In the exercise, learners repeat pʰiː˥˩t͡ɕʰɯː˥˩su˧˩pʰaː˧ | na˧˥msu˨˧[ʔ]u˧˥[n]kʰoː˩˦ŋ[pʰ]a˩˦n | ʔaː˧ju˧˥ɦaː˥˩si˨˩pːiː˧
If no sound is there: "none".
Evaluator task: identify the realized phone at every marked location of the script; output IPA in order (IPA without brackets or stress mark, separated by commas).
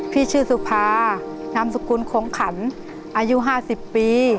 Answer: k, n, kʰ